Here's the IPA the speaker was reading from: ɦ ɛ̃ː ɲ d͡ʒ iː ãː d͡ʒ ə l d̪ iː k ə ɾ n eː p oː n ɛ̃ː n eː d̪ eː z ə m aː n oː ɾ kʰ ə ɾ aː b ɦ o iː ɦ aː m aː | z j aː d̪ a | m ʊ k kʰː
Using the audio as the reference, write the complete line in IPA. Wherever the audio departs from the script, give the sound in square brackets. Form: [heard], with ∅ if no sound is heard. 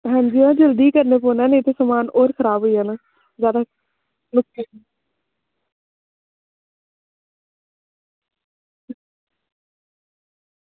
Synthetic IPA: ɦ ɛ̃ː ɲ d͡ʒ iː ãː d͡ʒ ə l d̪ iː k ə ɾ n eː p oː n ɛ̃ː n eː [t̪] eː [s] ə m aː n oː ɾ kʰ ə ɾ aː b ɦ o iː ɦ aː [n] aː | z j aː d̪ a | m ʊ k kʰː

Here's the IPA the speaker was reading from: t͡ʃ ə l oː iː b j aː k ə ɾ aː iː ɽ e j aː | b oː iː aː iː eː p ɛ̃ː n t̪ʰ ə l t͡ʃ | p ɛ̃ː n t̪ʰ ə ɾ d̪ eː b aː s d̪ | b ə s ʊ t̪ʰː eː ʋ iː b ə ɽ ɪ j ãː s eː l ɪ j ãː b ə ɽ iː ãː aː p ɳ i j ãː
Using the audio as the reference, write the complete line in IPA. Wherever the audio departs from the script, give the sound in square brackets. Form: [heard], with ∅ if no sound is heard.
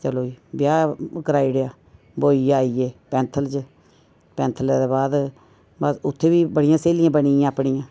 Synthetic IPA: t͡ʃ ə l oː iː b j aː k ə ɾ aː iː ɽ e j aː | b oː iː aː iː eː p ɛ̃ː n t̪ʰ ə l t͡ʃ | p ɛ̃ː n t̪ʰ ə [l] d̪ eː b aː [∅] d̪ | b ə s ʊ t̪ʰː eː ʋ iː b ə ɽ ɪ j ãː s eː l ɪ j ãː b ə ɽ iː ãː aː p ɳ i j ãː

